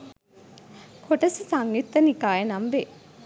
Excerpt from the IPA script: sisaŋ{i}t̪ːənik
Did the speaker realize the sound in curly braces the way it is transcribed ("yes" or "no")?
yes